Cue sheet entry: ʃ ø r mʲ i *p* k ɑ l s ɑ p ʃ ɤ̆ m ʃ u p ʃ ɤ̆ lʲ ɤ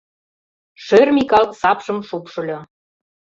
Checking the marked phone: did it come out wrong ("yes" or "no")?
yes